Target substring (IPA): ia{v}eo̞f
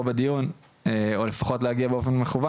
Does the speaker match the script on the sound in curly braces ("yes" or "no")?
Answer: no